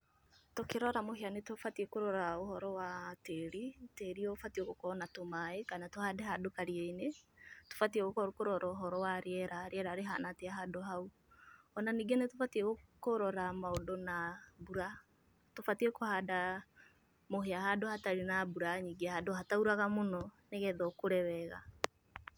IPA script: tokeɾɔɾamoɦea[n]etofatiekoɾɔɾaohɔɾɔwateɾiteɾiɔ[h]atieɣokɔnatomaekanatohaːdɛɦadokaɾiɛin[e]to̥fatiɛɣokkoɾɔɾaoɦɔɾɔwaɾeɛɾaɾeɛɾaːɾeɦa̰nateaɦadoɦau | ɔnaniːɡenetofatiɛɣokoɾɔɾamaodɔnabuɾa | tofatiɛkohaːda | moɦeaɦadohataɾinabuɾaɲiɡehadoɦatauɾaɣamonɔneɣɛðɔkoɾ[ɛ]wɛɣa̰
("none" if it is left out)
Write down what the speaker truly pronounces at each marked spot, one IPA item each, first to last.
n, f, e, ɛ

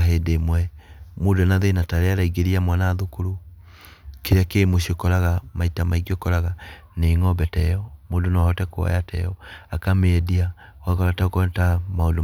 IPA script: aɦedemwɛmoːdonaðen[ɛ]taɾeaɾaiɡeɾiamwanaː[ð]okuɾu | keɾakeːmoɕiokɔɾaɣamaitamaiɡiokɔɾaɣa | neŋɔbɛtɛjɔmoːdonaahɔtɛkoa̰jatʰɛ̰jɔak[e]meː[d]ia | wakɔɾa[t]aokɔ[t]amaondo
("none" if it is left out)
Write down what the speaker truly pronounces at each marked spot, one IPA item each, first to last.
a, ð, a, d, t, t

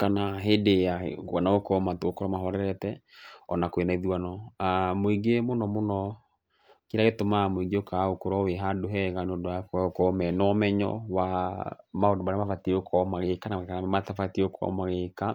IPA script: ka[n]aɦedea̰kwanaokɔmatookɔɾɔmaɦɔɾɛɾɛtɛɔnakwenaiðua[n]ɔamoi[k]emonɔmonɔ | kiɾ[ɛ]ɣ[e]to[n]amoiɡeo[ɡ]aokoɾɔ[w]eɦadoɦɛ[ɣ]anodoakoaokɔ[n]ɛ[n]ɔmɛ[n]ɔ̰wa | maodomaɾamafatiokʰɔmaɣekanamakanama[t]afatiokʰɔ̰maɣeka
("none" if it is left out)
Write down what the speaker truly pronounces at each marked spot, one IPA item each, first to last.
n, n, ɡ, a, e, m, k, w, ɣ, m, n, ɲ, t

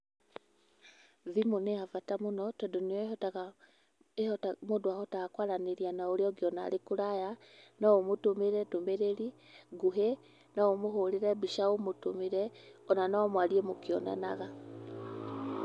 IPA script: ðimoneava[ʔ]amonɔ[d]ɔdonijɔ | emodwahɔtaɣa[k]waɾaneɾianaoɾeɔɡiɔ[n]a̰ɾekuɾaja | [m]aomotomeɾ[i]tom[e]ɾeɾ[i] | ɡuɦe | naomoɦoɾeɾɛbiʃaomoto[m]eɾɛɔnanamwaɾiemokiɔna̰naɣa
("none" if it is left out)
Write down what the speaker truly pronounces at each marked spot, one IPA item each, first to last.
t, t, k, n, n, ɛ, e, i, m

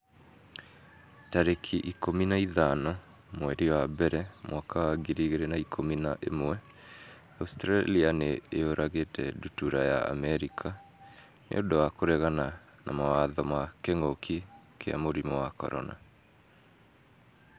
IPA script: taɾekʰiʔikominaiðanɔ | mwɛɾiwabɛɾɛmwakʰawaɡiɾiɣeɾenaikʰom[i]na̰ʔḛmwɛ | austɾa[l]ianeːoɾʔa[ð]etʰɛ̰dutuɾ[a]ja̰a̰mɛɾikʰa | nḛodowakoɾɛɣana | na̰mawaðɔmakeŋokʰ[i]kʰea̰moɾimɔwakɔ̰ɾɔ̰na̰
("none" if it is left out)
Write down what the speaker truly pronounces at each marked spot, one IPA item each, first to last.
i, l, ɣ, a, i

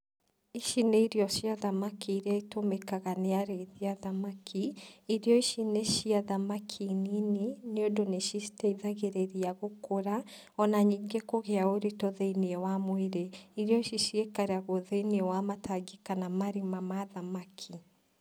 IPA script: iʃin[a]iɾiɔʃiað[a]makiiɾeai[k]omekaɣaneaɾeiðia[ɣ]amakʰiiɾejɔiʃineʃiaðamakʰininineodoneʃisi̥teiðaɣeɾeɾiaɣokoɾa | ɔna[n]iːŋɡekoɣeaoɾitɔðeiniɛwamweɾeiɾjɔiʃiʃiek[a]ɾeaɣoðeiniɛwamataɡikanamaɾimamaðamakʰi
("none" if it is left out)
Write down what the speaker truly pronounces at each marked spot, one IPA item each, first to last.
e, a, t, ð, ɲ, a

